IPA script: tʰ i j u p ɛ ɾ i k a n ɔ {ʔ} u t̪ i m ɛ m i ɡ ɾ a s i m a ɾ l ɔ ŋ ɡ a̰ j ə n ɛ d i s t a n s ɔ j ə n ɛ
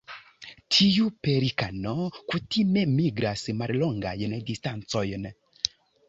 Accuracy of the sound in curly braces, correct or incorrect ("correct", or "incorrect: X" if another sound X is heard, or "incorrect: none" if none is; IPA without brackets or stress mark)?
incorrect: k